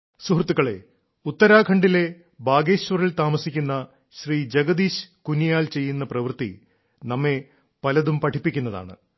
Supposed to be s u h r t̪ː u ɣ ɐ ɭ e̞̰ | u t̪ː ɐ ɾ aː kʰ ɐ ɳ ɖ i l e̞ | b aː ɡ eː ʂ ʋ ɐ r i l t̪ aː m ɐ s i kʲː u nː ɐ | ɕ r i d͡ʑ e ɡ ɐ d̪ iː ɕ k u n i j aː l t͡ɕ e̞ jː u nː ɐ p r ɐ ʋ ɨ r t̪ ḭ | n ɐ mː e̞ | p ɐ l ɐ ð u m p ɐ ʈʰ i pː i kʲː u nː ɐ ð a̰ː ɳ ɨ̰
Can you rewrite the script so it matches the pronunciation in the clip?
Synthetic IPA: s u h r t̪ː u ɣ ɐ ɭ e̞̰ | u t̪ː ɐ ɾ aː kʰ ɐ ɳ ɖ i l e̞ | b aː ɡ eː ɕ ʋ ɐ r i l t̪ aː m ɐ s i kʲː u nː ɐ | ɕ r iː d͡ʑ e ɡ ɐ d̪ iː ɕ k u n i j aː l t͡ɕ e̞ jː u nː ɐ p r ɐ ʋ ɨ r t̪ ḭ | n ɐ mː e̞ | p ɐ l ɐ ð u m p ɐ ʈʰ i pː i kʲː u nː ɐ ð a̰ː ɳ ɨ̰